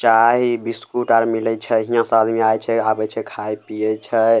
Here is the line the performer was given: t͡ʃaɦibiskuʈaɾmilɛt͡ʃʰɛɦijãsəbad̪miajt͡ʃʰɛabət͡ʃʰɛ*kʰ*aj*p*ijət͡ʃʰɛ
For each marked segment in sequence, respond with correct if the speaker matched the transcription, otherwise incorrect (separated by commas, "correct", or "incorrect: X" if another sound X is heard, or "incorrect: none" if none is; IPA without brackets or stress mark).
correct, correct